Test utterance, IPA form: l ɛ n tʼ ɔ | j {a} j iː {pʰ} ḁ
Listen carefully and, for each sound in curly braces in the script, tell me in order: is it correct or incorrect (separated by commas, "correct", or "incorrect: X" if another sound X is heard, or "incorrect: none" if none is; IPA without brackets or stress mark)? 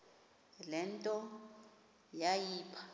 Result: correct, correct